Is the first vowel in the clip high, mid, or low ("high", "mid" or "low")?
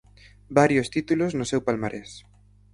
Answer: low